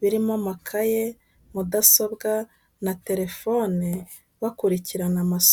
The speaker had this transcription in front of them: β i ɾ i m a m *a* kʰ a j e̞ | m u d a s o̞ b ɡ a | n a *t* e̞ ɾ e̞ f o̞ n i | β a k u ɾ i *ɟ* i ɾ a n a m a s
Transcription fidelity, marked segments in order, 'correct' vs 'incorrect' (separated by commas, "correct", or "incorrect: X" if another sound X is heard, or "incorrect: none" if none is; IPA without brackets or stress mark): correct, correct, incorrect: c